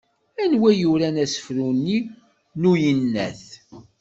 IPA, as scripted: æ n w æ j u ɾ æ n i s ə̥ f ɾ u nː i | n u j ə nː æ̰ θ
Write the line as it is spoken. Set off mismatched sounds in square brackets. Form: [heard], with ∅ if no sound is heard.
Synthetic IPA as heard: æ n w æ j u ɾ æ n [æ] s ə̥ f ɾ u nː i | n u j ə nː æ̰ θ

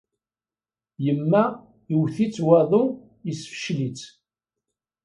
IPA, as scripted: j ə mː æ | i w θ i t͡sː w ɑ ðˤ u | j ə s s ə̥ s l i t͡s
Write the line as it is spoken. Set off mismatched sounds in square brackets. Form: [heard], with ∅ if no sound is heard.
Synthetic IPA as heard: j ə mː æ | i w θ i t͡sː w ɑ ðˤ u | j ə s [f] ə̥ [ʃ] l i t͡s

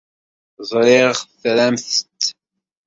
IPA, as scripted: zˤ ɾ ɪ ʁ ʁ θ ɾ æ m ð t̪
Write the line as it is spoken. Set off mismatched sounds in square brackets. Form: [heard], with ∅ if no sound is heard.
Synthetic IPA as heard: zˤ ɾ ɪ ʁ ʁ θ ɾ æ m [θ] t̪

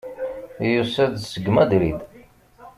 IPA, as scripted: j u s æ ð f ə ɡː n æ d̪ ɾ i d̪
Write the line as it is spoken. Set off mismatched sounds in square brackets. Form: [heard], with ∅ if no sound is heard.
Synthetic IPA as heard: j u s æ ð [s] ə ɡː [m] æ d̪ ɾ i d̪

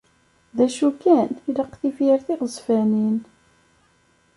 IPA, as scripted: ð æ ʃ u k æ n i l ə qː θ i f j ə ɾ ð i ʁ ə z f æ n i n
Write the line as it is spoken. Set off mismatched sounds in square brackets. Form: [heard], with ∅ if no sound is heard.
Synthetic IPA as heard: ð æ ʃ u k æ n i l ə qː θ i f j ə ɾ [θ] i ʁ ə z f æ n i n

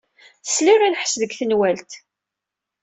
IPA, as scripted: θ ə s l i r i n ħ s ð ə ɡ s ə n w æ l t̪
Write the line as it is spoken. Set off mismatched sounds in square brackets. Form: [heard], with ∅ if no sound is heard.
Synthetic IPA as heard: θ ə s l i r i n ħ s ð ə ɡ [θ] ə n w æ l t̪

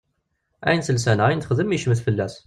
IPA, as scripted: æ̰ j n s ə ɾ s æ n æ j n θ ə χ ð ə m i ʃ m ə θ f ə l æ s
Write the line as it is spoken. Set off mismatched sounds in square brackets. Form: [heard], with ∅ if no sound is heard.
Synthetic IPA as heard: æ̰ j n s ə [l] s æ n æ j n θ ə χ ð ə m i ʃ m ə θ f ə [lː] æ s

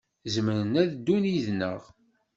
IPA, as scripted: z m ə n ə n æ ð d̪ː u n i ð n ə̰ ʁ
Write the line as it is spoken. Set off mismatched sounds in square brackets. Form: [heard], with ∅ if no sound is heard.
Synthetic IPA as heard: z m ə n ə n æ ð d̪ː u n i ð n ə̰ ʁ

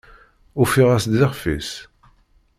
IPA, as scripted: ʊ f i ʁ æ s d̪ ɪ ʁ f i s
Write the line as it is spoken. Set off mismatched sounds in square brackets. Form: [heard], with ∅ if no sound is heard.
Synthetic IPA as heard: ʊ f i ʁ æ s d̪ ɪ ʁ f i s

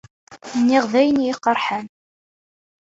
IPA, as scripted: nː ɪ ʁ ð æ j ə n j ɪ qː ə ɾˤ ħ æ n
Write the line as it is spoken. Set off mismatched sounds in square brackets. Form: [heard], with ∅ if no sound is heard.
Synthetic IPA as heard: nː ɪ ʁ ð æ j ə n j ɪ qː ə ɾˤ ħ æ n

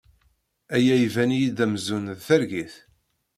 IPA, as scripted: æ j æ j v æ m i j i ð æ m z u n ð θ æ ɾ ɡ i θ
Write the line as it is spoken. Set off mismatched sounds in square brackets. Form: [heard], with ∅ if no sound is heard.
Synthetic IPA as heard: æ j æ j v æ [n] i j i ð æ m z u n ð θ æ ɾ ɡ i θ

